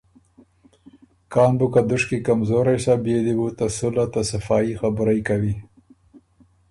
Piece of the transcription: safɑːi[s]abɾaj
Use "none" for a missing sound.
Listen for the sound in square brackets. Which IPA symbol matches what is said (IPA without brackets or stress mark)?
x